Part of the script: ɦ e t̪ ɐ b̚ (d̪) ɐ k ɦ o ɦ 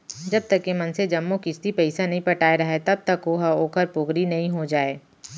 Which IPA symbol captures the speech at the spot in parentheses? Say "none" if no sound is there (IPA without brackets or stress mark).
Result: t̪